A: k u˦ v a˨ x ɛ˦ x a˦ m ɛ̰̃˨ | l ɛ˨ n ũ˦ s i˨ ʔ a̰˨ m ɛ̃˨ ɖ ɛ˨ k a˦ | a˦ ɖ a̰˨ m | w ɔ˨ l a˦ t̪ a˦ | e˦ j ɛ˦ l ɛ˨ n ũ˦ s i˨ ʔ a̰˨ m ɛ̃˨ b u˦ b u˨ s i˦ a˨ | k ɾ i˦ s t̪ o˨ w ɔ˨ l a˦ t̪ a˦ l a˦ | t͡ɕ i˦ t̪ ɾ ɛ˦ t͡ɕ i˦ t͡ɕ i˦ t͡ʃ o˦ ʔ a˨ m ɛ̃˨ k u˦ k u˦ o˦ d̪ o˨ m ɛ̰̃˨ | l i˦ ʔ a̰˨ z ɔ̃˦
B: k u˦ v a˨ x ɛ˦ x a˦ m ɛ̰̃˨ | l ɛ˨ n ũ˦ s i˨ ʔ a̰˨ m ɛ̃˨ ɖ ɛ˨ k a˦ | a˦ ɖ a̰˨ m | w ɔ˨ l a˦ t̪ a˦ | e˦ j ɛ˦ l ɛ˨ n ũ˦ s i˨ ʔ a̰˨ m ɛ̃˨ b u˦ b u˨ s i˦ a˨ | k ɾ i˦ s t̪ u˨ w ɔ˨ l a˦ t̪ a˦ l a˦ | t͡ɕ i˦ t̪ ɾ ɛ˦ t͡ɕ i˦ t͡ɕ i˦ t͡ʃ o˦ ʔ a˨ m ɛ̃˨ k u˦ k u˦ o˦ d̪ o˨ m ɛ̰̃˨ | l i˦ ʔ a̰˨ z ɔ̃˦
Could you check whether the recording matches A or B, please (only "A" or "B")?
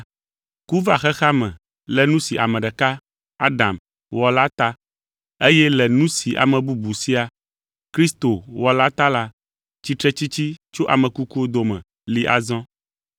A